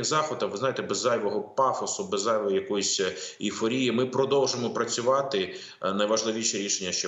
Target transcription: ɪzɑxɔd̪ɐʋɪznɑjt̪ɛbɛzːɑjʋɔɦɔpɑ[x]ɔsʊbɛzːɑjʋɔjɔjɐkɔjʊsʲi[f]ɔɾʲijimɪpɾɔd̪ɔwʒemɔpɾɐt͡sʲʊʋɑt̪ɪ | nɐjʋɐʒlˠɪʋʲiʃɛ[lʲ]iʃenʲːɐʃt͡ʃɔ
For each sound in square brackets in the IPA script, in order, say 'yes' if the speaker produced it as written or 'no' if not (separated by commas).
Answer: no, yes, no